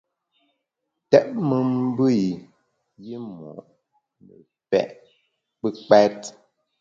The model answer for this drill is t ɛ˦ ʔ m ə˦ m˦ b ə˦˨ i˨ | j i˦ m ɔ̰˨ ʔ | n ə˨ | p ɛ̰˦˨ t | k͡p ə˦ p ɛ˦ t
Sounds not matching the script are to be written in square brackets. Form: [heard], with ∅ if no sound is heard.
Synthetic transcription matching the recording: t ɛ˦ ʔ m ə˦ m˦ b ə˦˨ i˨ | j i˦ m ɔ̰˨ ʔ | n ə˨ | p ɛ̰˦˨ [ʔ] | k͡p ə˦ [k͡p] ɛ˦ t

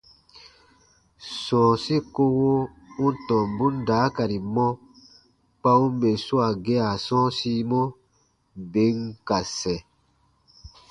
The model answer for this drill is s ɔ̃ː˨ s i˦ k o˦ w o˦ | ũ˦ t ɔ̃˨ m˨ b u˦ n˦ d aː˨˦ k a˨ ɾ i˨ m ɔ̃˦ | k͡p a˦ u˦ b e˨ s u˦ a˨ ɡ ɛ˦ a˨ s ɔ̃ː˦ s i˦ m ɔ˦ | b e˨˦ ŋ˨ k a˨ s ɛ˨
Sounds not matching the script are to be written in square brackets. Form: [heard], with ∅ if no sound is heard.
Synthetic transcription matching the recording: s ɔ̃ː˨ s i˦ k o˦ w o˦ | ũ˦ t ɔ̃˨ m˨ b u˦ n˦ d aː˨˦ k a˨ ɾ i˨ m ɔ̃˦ | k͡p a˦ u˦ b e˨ s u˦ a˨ ɡ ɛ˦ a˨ s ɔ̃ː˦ s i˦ m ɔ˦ | b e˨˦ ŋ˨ k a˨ s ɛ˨

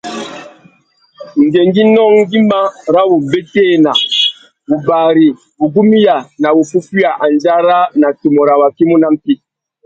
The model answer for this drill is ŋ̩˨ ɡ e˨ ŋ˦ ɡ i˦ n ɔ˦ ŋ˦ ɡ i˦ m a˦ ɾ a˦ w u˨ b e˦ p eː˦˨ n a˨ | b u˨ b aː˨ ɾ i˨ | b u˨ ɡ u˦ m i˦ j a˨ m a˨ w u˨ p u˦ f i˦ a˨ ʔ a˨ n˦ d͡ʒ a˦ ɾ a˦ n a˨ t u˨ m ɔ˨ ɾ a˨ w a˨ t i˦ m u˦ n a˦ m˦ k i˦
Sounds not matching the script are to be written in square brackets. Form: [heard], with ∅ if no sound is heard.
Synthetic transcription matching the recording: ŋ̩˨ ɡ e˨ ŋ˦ ɡ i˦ n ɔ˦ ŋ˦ ɡ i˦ m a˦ ɾ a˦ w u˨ b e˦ [t] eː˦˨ n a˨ | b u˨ b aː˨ ɾ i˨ | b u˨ ɡ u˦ m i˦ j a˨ [n] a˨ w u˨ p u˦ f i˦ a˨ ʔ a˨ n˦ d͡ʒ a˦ ɾ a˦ n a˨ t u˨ m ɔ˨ ɾ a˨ w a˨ [k] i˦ m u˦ n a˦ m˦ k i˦

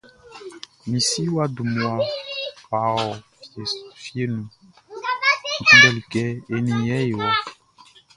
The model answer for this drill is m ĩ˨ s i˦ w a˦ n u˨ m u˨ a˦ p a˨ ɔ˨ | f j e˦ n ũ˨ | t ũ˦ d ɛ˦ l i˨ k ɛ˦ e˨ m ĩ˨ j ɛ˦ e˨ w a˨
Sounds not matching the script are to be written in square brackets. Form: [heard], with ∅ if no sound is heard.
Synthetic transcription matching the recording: m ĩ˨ s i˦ w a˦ [d] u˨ m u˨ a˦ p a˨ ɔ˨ | f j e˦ n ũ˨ | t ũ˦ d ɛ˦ l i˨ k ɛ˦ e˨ [n] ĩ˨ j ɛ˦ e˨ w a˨

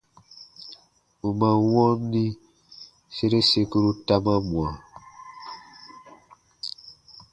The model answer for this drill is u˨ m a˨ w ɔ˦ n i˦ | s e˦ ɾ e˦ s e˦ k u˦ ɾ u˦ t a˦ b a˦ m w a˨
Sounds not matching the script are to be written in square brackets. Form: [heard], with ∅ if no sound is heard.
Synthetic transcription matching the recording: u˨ m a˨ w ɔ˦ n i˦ | s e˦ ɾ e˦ s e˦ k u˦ ɾ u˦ t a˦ [m] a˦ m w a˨

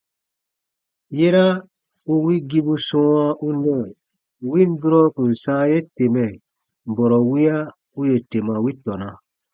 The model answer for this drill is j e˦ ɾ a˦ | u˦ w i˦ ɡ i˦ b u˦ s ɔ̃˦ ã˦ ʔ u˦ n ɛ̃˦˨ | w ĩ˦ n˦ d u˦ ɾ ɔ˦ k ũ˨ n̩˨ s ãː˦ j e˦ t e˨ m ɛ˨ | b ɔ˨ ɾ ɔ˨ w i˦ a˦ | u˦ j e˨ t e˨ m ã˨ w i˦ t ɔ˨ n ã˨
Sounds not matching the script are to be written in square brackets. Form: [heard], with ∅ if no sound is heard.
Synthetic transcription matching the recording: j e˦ ɾ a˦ | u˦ w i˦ ɡ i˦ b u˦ s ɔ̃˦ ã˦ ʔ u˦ n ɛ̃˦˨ | w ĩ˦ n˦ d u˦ ɾ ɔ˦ k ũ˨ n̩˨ s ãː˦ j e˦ t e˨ m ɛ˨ | b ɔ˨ ɾ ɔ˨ w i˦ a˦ | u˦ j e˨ t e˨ m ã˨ w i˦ t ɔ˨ n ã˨

